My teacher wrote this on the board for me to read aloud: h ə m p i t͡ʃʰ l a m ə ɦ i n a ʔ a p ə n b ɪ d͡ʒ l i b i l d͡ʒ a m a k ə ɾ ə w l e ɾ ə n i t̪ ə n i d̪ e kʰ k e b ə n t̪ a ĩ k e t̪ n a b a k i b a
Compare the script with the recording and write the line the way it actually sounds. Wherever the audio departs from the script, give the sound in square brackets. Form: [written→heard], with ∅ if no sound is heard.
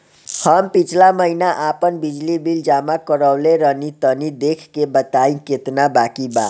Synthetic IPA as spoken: h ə m p i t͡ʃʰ l a m ə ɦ i n a ʔ a p ə n b [ɪ→i] d͡ʒ l i b i l d͡ʒ a m a k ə ɾ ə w l e ɾ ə n i t̪ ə n i d̪ e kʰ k e b ə [n→∅] t̪ a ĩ k e t̪ n a b a k i b a